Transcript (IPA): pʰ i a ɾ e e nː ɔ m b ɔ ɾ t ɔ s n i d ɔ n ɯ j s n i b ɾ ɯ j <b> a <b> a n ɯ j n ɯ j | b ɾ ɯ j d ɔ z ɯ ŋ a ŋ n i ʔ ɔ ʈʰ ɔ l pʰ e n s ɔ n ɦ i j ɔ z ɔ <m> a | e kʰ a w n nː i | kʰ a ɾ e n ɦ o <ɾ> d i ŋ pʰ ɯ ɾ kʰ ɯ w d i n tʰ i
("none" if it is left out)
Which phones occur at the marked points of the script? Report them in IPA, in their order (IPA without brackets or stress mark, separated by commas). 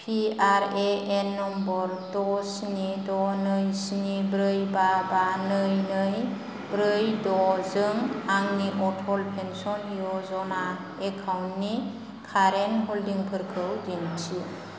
b, b, n, l